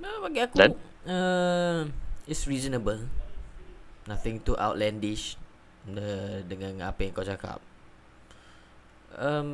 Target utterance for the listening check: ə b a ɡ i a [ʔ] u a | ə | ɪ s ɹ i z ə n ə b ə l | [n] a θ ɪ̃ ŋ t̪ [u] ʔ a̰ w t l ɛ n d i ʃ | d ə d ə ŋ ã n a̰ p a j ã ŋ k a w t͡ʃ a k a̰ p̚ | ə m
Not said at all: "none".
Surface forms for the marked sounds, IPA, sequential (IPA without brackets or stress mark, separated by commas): k, n, u